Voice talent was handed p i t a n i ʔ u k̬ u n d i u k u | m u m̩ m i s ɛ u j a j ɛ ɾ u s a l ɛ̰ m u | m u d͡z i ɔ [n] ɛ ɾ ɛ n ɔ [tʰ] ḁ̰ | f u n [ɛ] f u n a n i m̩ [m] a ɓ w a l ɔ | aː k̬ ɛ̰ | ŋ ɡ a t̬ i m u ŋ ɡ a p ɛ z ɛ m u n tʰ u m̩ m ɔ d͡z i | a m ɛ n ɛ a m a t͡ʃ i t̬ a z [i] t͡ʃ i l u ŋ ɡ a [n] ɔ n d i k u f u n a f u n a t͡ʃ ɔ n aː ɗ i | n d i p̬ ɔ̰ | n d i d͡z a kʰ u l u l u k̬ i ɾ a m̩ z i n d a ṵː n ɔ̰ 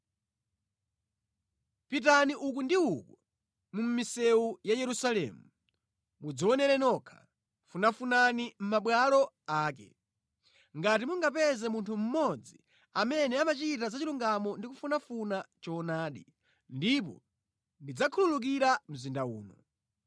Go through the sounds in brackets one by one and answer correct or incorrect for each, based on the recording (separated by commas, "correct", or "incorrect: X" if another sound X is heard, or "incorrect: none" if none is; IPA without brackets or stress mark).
correct, incorrect: kʰ, incorrect: a, correct, incorrect: a, incorrect: m